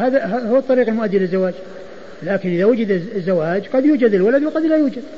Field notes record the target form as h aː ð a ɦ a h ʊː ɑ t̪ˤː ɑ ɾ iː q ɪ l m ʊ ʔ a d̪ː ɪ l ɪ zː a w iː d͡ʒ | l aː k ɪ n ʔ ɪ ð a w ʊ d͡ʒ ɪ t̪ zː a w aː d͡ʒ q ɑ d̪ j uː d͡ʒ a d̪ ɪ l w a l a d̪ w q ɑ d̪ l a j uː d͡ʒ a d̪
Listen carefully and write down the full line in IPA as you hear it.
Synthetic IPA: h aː ð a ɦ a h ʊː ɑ t̪ˤː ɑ ɾ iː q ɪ l m ʊ ʔ a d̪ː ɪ l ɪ zː a w aː d͡ʒ | l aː k ɪ n ʔ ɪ ð a w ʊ d͡ʒ ɪ d̪ zː a w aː d͡ʒ q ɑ d̪ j uː d͡ʒ a d̪ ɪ l w a l a d̪ w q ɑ d̪ l a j uː d͡ʒ a d̪